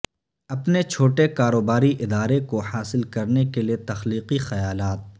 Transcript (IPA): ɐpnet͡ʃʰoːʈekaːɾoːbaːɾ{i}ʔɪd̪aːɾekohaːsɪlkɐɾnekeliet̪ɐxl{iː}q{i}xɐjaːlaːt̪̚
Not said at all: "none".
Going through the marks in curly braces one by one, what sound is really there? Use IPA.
i, iː, i

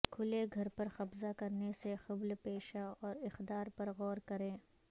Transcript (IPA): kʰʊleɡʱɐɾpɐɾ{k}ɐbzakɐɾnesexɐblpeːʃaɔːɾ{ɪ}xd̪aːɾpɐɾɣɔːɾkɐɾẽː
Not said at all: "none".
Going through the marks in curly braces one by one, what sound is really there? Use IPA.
x, ɪ

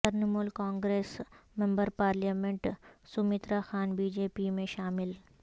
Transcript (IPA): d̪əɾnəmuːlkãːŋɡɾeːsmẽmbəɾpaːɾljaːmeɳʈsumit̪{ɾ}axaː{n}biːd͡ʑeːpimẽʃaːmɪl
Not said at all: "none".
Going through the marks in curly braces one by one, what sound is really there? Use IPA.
ɾ, n

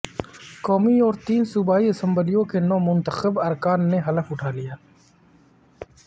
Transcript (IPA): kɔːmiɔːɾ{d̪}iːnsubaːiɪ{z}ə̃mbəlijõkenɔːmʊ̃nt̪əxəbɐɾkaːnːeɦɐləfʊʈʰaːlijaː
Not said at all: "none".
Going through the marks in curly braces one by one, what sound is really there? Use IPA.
t̪, s

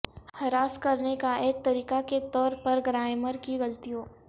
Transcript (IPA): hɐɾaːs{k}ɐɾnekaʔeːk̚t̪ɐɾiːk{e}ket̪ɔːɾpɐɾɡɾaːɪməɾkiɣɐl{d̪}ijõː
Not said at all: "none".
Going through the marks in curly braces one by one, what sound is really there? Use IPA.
k, a, t̪

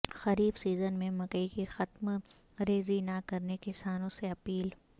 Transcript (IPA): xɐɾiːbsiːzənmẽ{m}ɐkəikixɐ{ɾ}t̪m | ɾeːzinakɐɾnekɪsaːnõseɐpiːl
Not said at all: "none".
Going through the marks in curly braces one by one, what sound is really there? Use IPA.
m, none

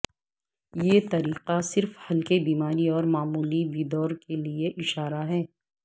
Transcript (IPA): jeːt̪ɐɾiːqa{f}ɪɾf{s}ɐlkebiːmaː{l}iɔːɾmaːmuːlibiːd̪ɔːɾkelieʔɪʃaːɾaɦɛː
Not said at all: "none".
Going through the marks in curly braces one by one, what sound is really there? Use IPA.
s, h, ɾ

